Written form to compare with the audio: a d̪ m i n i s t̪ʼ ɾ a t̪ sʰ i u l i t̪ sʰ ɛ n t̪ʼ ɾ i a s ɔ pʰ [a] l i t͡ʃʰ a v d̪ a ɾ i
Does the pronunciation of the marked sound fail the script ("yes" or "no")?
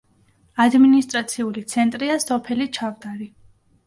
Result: yes